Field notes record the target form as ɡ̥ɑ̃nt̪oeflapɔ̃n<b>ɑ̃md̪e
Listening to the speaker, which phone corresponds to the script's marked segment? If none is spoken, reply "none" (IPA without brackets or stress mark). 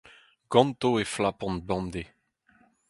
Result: b